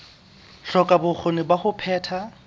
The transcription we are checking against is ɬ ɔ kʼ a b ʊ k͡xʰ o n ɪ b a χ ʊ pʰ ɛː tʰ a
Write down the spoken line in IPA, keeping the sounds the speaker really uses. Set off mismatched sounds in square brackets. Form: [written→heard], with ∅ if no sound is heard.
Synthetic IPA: ɬ ɔ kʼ a b ʊ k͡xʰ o n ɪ b a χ ʊ pʰ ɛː tʰ a